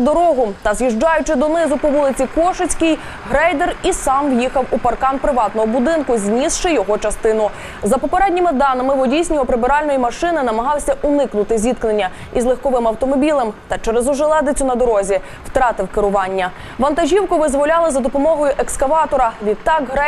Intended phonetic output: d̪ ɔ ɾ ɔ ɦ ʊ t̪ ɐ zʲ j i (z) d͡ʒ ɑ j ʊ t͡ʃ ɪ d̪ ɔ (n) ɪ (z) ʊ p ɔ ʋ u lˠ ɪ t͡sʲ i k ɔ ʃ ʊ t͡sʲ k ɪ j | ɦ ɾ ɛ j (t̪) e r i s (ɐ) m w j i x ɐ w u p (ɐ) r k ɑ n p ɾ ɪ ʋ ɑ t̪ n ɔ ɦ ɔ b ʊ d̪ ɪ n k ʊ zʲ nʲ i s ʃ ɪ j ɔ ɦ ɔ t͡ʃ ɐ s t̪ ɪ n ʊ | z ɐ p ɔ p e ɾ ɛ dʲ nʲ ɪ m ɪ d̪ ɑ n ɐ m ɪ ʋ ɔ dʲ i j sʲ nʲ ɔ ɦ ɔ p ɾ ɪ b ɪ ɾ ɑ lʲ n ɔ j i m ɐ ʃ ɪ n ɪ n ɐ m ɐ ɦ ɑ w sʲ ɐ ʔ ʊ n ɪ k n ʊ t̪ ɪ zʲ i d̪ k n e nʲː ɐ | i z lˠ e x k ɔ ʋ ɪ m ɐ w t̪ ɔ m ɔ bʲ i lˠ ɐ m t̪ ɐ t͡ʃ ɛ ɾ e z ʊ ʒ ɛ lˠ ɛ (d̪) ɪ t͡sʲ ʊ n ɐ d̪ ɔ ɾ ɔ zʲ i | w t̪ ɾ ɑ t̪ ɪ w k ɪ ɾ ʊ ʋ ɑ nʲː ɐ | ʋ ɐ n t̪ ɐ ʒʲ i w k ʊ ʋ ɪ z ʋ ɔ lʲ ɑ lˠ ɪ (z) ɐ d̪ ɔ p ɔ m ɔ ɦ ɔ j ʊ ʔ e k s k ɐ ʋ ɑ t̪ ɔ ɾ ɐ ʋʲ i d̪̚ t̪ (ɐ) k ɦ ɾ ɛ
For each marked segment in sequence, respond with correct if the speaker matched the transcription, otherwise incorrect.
incorrect: ʒ, correct, correct, incorrect: d̪, incorrect: ɑ, correct, correct, correct, incorrect: ɑ

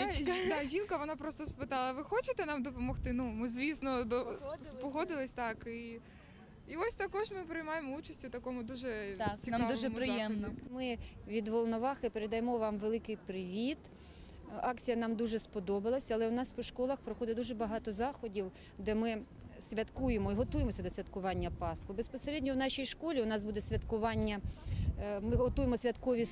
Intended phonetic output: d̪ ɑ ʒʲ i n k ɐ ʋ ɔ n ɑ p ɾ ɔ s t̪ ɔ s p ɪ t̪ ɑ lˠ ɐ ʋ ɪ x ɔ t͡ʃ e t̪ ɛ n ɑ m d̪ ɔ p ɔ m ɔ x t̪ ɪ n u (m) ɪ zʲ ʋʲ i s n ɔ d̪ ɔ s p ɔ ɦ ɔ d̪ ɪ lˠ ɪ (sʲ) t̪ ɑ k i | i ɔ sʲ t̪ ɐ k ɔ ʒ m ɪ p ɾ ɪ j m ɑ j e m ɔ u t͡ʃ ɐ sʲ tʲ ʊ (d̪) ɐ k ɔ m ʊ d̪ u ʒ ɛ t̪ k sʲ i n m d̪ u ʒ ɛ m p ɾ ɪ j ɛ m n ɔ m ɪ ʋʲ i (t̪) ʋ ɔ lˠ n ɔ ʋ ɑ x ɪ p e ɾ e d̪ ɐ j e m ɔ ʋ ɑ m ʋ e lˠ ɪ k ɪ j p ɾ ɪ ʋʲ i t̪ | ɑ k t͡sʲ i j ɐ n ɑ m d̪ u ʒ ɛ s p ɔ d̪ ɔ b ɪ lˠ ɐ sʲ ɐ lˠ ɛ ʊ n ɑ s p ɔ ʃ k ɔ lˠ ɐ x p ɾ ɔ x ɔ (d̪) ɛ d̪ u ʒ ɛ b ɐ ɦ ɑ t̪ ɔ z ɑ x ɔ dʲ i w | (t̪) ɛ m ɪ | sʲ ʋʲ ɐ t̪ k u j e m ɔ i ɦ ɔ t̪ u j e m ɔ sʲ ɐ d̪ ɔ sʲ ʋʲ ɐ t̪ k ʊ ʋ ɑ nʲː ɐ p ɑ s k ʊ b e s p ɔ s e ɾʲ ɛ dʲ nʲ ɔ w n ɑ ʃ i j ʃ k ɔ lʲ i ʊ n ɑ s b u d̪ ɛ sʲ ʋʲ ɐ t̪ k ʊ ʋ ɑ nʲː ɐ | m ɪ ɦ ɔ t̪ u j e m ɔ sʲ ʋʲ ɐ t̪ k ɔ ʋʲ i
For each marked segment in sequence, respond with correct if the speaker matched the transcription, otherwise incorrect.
correct, correct, incorrect: t̪, incorrect: d̪, correct, incorrect: d̪

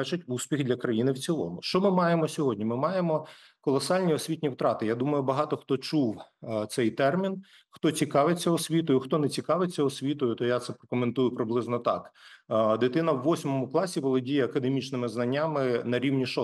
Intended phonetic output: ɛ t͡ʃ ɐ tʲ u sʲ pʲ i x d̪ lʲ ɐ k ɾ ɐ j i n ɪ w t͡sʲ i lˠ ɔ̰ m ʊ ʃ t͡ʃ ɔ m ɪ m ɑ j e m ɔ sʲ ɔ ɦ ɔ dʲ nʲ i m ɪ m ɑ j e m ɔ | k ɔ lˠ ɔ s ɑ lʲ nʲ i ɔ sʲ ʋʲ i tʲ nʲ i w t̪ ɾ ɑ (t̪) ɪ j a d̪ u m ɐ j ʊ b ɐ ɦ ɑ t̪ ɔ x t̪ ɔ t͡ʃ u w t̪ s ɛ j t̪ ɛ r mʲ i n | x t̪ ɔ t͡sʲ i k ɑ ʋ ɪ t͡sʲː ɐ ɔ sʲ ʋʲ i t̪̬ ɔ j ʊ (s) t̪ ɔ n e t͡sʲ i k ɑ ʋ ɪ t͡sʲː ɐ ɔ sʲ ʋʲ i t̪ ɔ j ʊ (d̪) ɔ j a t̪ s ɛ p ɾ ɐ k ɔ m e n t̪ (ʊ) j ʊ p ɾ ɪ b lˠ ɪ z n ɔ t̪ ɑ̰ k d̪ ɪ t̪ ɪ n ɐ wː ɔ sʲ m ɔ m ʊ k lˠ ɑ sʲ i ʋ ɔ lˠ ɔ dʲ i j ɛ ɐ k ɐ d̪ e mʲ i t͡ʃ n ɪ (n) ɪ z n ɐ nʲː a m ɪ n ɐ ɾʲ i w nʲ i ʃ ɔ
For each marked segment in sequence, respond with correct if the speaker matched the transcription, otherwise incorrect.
correct, incorrect: x, incorrect: t̪, incorrect: u, incorrect: m

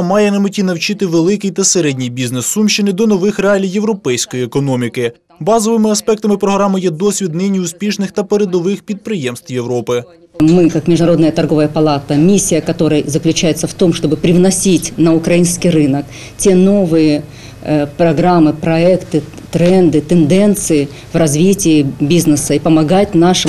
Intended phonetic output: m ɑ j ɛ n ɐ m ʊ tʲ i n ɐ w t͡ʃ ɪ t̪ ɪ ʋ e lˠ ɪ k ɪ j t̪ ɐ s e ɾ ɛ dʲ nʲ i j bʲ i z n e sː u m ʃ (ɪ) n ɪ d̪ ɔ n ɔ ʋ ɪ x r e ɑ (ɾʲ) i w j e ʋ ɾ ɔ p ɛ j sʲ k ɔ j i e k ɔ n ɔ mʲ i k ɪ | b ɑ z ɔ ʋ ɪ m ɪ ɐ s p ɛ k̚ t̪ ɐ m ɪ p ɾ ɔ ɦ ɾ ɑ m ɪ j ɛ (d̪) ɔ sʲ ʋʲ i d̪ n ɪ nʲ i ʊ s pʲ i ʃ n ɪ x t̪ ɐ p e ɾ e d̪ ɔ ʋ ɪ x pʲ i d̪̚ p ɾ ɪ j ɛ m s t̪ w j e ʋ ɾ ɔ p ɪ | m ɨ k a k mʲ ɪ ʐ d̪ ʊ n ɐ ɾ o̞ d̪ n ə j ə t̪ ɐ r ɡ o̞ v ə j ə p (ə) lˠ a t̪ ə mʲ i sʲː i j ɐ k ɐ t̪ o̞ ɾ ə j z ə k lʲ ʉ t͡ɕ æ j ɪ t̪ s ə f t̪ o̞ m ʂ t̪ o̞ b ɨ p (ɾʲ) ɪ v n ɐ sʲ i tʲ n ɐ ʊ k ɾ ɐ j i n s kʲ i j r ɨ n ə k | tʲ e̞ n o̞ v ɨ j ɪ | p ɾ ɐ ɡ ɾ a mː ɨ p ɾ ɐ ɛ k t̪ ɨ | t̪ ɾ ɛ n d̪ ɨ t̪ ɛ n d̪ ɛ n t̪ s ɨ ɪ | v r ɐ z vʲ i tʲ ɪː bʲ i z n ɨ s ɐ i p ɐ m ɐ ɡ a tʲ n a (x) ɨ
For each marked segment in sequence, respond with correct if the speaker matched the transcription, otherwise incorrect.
correct, incorrect: lʲ, correct, incorrect: ɐ, correct, incorrect: ʂ

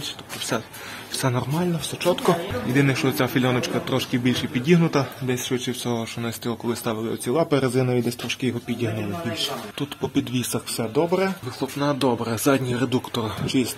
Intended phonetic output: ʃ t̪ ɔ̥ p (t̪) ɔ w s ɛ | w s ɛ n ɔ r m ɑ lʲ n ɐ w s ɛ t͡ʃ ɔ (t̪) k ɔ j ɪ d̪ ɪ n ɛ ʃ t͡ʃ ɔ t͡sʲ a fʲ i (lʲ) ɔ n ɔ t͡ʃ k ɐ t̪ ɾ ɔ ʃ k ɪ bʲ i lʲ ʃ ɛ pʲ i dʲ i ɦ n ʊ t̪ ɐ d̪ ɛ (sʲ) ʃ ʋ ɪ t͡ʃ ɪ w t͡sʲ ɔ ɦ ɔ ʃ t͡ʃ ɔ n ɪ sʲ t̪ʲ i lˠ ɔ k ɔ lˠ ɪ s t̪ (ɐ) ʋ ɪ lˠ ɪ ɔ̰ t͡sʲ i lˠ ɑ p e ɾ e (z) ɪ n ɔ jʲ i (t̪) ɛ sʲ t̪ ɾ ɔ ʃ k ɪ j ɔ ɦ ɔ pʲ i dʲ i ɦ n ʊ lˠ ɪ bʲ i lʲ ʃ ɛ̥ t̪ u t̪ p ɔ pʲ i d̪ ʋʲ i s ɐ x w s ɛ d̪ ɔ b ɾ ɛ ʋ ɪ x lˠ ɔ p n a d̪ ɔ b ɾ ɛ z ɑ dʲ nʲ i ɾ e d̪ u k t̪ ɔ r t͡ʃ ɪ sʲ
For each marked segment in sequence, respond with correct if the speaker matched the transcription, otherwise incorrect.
correct, correct, correct, correct, incorrect: ɑ, correct, incorrect: d̪

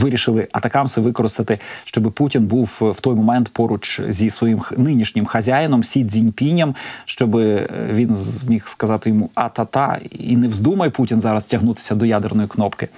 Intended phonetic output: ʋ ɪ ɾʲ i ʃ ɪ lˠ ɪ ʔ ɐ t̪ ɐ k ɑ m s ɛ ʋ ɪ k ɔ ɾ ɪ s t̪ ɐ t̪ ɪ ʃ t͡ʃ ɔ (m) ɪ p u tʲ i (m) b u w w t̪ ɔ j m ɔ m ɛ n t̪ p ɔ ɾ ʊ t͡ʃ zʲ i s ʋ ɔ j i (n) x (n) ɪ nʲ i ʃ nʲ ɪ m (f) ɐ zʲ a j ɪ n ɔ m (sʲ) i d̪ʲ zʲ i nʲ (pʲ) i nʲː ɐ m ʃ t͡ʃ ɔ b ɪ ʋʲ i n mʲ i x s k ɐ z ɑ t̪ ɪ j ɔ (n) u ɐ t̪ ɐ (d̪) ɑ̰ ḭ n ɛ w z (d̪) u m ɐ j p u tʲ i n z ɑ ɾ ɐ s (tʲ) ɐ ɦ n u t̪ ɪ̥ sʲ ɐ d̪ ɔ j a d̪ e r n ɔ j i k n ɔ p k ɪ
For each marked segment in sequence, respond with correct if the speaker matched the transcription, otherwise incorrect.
incorrect: b, incorrect: n, incorrect: m, correct, incorrect: x, correct, correct, incorrect: m, incorrect: t̪, correct, correct

